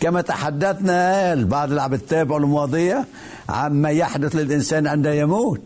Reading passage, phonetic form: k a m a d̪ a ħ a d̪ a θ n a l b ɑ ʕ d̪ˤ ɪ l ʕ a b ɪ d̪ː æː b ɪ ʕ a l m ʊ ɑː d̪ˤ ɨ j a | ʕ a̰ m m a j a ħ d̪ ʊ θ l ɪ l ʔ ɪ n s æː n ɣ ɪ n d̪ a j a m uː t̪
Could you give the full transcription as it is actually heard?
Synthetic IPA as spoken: k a m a t̪ a ħ a d̪ː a θ n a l b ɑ ʕ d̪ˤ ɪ l ʕ a b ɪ t̪ː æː b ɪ ʕ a l m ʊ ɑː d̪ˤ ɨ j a | ʕ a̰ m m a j a ħ d̪ ʊ θ l ɪ l ʔ ɪ n s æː n ʕ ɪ n d̪ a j a m uː t̪